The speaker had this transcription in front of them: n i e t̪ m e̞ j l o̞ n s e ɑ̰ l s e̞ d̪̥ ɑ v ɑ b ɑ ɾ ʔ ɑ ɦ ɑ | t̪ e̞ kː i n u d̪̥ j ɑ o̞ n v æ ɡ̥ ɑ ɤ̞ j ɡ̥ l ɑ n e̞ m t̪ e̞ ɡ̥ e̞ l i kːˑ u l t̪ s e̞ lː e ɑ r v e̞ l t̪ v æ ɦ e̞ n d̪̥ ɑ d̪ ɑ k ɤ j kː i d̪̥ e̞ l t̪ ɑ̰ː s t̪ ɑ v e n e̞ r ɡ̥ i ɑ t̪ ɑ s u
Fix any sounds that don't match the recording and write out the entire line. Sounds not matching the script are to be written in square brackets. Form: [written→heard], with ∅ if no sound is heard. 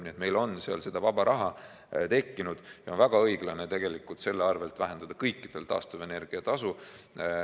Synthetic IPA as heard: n i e t̪ m e̞ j l o̞ n s e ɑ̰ l s e̞ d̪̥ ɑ v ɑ b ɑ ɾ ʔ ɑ ɦ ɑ | t̪ e̞ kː i n u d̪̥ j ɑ o̞ n v æ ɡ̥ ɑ ɤ̞ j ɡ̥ l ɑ n e̞ [m→∅] t̪ e̞ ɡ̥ e̞ l i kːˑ u l t̪ s e̞ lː e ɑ r v e̞ l t̪ v æ ɦ e̞ n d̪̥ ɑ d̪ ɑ k ɤ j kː i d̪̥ e̞ l t̪ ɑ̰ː s t̪ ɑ v e n e̞ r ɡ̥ i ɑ t̪ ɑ s u